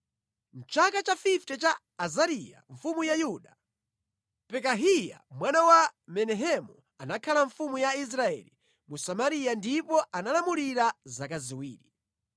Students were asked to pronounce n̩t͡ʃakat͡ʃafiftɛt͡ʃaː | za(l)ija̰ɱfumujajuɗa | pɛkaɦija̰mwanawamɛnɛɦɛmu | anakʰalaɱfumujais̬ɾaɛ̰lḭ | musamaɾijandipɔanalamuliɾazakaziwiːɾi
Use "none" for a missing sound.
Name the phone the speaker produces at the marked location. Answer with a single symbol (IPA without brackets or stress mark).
ɾ